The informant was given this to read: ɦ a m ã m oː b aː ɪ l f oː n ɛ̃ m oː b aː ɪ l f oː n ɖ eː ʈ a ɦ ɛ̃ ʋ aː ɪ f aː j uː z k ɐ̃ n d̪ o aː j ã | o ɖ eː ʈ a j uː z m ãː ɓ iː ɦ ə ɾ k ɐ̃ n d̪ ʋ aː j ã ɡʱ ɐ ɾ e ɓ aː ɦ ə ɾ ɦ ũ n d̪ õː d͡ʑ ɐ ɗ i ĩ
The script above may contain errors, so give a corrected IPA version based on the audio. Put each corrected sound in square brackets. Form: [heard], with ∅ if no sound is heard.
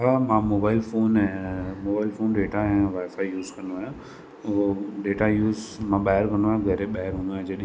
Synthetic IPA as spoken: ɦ a m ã m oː b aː ɪ l f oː n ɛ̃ m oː b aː ɪ l f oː n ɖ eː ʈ a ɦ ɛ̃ ʋ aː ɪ f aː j uː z k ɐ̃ n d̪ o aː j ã | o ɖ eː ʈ a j uː z m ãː ɓ [aː] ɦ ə ɾ k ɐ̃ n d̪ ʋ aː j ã ɡʱ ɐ ɾ e ɓ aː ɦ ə ɾ ɦ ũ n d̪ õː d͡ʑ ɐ ɗ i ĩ